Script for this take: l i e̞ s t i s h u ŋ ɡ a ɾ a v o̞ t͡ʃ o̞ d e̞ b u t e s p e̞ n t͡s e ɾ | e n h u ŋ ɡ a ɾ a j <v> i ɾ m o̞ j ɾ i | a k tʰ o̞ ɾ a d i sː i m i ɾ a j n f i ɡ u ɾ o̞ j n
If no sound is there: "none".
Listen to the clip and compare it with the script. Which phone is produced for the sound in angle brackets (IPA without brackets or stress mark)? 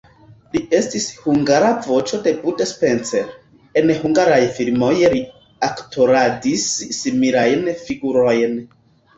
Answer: f